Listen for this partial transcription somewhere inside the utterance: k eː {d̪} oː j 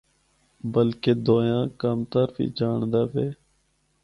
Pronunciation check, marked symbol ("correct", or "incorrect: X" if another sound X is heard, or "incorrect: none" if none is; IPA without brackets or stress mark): correct